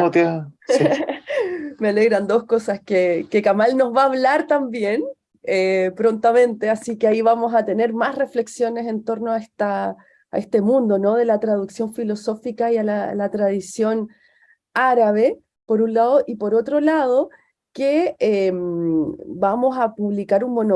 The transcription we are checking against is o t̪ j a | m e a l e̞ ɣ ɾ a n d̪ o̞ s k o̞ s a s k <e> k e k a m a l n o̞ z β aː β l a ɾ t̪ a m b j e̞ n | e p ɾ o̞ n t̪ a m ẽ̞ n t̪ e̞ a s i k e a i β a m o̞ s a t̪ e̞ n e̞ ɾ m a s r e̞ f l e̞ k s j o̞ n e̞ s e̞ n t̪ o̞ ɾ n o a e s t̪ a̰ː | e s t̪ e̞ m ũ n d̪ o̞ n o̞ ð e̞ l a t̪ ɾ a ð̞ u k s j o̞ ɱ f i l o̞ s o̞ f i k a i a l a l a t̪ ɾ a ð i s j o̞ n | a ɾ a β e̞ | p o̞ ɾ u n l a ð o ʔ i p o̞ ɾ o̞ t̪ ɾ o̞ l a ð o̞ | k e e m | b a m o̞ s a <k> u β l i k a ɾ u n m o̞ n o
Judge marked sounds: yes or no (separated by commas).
yes, no